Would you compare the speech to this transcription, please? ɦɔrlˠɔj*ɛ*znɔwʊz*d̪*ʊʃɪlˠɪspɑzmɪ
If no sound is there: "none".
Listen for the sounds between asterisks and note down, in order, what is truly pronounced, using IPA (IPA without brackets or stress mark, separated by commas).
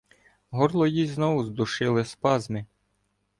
i, d̪